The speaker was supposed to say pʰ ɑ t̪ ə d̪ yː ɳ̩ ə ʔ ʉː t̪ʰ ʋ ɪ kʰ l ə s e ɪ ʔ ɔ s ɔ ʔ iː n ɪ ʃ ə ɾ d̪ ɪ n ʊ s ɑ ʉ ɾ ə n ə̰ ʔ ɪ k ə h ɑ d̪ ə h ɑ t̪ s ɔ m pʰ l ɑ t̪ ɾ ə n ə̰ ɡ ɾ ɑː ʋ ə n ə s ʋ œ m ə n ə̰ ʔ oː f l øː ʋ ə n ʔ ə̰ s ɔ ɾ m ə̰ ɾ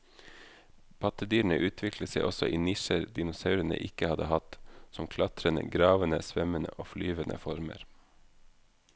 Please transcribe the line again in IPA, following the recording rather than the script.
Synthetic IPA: pʰ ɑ t̪ ə d̪ yː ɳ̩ ə ʔ ʉː t̪ʰ ʋ ɪ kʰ l ə s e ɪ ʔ ɔ s ɔ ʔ iː n ɪ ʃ ə ɾ d̪ ɪ n ʊ s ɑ ʉ ɾ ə n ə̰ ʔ ɪ k ə h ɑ d̪ ə h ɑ t̪ s ɔ m kʰ l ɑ t̪ ɾ ə n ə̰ ɡ ɾ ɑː ʋ ə n ə s ʋ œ m ə n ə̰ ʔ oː f l yː ʋ ə n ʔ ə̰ f ɔ ɾ m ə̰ ɾ